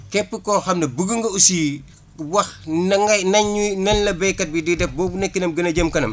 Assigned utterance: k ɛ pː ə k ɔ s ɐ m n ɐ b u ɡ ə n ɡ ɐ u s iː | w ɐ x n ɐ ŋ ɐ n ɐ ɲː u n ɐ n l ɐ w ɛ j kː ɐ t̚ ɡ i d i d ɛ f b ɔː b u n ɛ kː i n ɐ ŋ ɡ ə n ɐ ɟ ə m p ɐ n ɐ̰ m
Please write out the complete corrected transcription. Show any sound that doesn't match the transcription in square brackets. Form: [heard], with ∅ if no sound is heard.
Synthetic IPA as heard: k ɛ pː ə k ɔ [x] ɐ m n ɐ b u ɡ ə [ŋ] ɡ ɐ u s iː | w ɐ x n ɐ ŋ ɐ n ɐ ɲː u n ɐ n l ɐ [b] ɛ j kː ɐ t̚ [b] i d i d ɛ f b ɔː b u n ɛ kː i n ɐ [m] ɡ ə n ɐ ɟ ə m [k] ɐ n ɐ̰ m